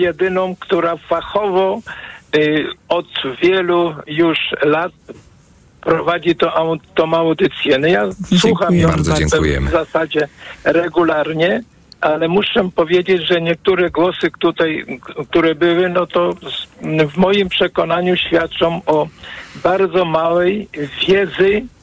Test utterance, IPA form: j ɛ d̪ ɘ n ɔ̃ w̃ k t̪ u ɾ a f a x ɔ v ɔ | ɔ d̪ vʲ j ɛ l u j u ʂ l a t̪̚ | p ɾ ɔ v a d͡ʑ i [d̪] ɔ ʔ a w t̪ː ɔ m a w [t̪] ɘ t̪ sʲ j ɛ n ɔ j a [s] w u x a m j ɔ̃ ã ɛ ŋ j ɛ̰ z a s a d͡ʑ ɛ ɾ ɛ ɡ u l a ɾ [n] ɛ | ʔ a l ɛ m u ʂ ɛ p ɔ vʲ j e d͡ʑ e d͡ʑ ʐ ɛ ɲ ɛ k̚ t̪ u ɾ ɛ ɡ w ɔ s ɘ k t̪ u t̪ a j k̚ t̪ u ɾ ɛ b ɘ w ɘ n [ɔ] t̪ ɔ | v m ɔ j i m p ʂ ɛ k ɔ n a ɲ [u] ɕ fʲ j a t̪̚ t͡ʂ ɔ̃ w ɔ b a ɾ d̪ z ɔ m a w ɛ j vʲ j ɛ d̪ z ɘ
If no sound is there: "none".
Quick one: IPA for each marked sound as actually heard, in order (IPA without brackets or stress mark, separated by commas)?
t̪, d̪, s, ɲ, ɔ, u